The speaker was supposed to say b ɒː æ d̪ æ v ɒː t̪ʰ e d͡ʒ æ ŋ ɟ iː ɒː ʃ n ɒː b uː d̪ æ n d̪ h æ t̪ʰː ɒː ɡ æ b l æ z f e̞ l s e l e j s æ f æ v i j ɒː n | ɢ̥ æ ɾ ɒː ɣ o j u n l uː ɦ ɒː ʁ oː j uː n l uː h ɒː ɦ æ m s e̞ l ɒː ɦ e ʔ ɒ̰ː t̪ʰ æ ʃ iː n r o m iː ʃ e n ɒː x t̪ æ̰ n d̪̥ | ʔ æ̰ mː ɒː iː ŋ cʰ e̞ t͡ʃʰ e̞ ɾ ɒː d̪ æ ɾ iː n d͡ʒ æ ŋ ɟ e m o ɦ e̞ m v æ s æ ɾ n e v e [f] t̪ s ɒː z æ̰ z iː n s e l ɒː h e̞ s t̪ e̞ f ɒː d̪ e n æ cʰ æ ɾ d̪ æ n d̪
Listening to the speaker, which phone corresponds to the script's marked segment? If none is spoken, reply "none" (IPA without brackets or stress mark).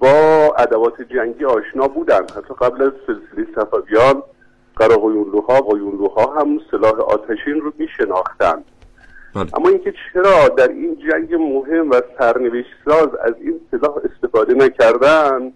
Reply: ʃ